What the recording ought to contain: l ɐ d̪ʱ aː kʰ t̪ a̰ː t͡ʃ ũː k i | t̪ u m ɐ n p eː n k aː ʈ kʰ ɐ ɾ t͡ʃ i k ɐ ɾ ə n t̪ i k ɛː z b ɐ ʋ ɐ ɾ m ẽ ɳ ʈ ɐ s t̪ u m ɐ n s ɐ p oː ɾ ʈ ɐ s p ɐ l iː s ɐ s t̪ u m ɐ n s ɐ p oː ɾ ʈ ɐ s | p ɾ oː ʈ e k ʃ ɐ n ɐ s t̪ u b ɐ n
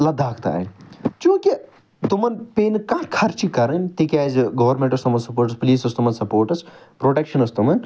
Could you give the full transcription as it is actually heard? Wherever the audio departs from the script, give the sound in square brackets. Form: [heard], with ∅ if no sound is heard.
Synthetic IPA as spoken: l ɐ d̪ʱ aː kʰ t̪ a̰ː t͡ʃ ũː k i | t̪ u m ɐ n p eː n k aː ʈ kʰ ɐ ɾ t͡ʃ i k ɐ ɾ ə n t̪ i k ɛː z [ɡ] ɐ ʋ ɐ ɾ m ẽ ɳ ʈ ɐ s t̪ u m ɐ n s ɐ p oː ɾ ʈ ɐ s p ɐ l iː s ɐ s t̪ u m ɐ n s ɐ p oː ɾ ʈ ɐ s | p ɾ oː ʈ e k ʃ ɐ n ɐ s t̪ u [m] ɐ n